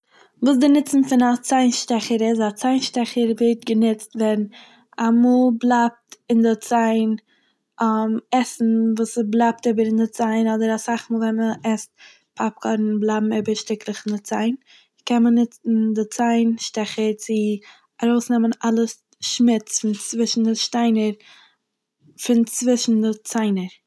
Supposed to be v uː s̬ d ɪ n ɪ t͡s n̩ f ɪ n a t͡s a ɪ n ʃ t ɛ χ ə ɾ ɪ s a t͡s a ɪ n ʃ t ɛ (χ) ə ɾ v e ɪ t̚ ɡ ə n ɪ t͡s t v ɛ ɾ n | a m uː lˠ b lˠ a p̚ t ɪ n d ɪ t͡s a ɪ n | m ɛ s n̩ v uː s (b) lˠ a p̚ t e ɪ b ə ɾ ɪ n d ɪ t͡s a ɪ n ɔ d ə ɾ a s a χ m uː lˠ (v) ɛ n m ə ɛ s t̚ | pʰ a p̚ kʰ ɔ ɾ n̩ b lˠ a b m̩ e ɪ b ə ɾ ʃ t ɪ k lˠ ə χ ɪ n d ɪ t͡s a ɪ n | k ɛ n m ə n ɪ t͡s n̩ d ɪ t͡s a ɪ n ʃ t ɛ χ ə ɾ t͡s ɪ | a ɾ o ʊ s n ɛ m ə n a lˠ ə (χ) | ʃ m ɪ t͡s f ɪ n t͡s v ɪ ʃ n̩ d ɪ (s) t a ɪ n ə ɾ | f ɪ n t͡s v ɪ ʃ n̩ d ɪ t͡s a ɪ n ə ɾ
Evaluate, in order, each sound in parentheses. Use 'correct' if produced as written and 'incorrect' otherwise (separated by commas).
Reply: correct, correct, correct, incorrect, incorrect